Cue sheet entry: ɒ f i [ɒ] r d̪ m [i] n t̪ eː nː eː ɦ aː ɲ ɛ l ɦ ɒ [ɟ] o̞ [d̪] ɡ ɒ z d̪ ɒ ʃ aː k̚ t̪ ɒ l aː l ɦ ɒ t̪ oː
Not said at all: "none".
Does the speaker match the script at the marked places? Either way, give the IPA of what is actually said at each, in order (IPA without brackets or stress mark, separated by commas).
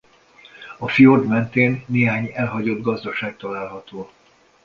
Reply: o, ɛ, ɟ, d̪